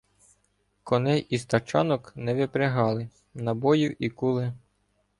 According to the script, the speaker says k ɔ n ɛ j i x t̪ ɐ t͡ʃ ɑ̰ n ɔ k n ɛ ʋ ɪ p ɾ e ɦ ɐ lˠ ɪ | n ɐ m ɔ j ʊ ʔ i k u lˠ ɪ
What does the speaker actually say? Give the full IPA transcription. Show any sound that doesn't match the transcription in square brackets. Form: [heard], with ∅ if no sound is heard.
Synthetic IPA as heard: k ɔ n ɛ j i [s] t̪ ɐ t͡ʃ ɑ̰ n ɔ k n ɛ ʋ ɪ p ɾ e ɦ [ɑ] lˠ ɪ | n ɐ [b] ɔ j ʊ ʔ i k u lˠ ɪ

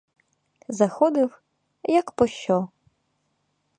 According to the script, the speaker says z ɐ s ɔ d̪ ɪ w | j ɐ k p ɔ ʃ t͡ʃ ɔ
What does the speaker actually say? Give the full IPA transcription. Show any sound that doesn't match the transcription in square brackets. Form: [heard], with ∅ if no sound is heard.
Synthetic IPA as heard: z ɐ [x] ɔ d̪ ɪ w | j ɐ k p ɔ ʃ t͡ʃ ɔ

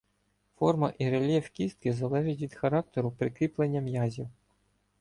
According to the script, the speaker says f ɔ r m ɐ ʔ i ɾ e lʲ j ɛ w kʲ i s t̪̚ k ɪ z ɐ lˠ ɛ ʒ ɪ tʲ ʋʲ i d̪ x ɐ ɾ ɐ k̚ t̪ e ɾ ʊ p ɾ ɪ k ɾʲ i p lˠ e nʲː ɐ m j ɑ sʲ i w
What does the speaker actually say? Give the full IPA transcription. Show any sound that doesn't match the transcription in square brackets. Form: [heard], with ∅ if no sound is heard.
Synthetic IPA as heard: f ɔ r m ɐ ʔ i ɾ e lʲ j ɛ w kʲ i s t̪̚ k ɪ z ɐ lˠ ɛ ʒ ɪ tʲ ʋʲ i d̪ x ɐ ɾ [ɑ] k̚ t̪ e ɾ ʊ p ɾ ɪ k ɾʲ i p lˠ e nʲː ɐ m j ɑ [zʲ] i w

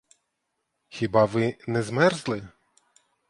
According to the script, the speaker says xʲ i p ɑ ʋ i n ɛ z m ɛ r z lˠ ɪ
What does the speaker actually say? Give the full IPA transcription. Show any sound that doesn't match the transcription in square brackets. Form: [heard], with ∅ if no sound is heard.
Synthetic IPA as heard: xʲ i [b] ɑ ʋ [ɪ] n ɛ z m ɛ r z lˠ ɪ

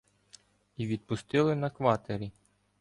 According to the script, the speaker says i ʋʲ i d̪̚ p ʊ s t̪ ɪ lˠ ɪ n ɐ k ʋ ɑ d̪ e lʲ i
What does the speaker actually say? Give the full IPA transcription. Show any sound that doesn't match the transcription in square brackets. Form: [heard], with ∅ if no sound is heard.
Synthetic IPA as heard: i ʋʲ i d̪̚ p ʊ s t̪ ɪ lˠ ɪ n ɐ k ʋ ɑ [t̪] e [ɾʲ] i

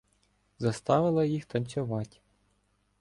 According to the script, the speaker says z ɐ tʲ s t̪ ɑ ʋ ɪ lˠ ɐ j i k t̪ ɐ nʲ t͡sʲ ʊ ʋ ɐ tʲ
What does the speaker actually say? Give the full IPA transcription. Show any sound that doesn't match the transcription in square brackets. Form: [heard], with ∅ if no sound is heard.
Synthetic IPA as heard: z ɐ [∅] s t̪ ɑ ʋ ɪ lˠ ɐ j i [x] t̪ ɐ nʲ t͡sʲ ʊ ʋ [ɑ] tʲ

